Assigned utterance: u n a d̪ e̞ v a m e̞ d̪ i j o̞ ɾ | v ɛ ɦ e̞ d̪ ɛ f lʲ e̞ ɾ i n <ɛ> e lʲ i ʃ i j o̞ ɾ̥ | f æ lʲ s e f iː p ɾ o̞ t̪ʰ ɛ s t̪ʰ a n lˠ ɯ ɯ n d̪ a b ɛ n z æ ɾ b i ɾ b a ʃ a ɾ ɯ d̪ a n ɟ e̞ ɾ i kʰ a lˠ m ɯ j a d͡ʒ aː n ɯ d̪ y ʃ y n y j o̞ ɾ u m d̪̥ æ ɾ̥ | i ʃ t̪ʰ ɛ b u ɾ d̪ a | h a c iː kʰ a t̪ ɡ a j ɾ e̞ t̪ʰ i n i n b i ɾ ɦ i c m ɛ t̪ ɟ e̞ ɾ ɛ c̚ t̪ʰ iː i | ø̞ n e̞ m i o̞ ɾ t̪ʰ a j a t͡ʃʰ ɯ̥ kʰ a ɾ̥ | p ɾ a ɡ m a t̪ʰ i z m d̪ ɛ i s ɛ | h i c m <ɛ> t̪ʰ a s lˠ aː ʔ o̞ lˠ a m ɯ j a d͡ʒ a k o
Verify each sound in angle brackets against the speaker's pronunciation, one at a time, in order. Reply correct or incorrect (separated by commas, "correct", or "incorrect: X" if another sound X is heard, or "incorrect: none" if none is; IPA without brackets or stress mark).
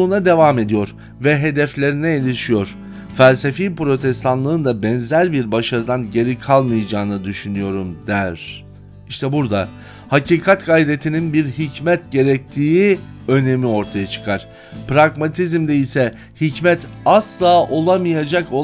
correct, correct